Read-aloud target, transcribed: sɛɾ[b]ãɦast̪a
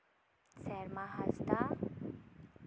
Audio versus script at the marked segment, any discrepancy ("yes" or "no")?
yes